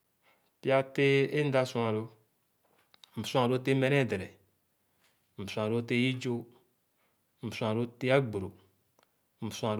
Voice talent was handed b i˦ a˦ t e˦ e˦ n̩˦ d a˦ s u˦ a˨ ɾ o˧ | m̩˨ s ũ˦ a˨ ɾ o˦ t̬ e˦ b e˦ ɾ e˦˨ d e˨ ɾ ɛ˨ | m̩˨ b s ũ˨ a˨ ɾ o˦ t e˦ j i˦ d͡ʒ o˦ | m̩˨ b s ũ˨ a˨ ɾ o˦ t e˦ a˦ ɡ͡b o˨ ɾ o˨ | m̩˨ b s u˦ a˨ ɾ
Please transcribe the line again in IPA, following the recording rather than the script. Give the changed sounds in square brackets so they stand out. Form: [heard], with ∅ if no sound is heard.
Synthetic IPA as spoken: [p] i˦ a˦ t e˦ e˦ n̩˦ d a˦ s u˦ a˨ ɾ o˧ | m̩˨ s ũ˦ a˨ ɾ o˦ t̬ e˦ [m] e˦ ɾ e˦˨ d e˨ ɾ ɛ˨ | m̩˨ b s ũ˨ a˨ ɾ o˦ t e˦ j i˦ d͡ʒ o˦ | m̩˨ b s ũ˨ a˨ ɾ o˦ t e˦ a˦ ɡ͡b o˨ ɾ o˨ | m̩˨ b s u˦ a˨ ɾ